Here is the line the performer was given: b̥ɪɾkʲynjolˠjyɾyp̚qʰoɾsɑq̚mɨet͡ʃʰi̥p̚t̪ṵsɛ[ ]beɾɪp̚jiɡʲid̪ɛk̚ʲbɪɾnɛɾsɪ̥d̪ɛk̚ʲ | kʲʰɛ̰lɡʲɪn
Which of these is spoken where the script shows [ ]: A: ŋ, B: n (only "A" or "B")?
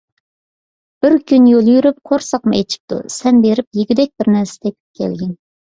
B